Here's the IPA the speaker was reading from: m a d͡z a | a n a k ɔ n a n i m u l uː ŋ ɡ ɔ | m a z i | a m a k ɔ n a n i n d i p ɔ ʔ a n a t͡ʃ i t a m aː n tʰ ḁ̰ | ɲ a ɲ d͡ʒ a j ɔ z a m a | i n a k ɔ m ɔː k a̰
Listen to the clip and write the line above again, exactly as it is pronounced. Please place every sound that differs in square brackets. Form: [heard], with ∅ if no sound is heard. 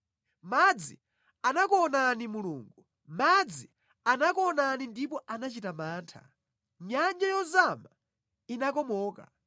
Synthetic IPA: m a d͡z [i] | a n a k ɔ n a n i m u l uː ŋ ɡ [u] | m a [d͡z] i | a [n] a k ɔ n a n i n d i p ɔ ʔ a n a t͡ʃ i t a m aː n tʰ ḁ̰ | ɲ a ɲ d͡ʒ a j ɔ z a m a | i n a k ɔ m ɔː k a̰

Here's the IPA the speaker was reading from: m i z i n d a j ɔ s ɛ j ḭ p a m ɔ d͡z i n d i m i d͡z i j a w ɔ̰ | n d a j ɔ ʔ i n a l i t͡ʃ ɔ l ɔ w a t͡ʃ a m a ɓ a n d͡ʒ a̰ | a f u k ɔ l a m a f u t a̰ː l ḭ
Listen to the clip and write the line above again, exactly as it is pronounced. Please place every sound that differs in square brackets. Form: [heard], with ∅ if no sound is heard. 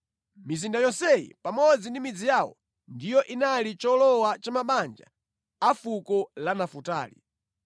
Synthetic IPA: m i z i n d a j ɔ s ɛ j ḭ p a m ɔ d͡z i n d i m i d͡z i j a w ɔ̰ | n d [i] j ɔ ʔ i n a l i t͡ʃ ɔ l ɔ w a t͡ʃ a m a ɓ a n d͡ʒ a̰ | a f u k ɔ l a [n] a f u t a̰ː l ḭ

